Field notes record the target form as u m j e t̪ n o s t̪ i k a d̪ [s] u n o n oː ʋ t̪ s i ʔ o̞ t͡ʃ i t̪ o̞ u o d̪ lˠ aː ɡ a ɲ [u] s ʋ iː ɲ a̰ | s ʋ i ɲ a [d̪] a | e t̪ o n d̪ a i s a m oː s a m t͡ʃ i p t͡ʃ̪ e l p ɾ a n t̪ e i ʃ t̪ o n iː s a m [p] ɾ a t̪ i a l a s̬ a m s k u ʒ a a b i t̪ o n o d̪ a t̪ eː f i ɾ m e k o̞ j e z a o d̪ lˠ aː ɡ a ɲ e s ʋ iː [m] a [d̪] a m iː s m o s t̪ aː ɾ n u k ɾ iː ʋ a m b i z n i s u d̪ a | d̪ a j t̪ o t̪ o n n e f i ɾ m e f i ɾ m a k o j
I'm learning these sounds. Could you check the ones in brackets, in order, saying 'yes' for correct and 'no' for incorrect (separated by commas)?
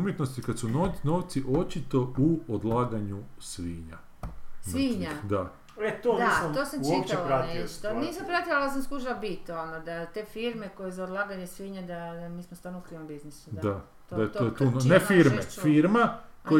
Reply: yes, yes, yes, yes, no, yes